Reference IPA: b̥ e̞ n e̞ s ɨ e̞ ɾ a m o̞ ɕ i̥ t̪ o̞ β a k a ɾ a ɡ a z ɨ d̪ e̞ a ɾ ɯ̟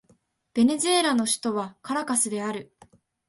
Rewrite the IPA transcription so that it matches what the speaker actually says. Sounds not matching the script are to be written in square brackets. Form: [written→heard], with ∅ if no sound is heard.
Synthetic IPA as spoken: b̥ e̞ n e̞ [s→z] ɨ e̞ ɾ a [m→n] o̞ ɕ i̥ t̪ o̞ β a k a ɾ a [ɡ→k] a [z→s] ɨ d̪ e̞ a ɾ ɯ̟